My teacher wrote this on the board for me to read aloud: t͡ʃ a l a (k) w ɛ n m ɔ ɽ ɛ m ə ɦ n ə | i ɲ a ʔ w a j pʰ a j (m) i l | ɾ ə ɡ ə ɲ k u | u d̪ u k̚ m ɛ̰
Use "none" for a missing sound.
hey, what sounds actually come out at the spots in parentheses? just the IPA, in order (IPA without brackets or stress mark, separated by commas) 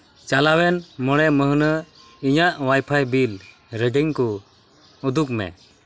none, b